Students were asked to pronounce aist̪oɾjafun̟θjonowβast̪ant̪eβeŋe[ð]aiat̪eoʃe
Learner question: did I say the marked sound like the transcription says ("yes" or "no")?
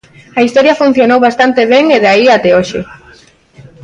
yes